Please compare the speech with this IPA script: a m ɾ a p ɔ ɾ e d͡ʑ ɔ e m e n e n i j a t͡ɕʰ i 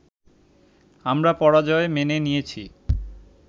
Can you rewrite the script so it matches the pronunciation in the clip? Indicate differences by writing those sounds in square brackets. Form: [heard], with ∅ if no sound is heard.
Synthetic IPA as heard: a m ɾ a p ɔ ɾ [a] d͡ʑ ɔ e m e n e n i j [e] t͡ɕʰ i